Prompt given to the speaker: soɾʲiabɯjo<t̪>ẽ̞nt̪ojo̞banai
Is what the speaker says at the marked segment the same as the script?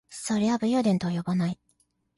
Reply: no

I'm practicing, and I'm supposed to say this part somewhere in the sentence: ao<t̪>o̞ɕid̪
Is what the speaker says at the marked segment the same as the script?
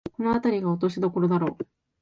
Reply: yes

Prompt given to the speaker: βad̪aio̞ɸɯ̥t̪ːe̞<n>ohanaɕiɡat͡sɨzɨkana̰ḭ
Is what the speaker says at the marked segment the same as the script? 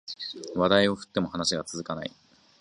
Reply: no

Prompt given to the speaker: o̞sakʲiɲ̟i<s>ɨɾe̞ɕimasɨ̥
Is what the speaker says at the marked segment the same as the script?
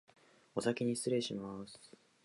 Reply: yes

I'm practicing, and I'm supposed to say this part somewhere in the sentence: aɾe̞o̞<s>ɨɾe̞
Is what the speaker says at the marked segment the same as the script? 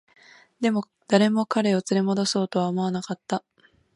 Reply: no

